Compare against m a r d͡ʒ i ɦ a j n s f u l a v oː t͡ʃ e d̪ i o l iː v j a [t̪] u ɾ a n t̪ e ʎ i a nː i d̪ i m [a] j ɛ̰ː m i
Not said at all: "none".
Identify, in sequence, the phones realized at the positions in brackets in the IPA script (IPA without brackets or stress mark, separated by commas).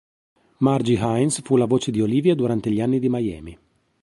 d̪, a